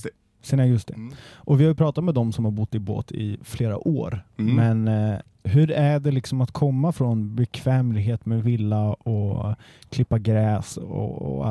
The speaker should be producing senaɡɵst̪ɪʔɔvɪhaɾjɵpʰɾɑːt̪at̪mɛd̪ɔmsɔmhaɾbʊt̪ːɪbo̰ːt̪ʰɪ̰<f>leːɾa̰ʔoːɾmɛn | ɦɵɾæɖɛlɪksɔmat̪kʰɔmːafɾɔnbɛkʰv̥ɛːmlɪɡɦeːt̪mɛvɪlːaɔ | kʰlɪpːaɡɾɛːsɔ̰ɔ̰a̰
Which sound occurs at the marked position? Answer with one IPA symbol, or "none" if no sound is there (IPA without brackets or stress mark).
f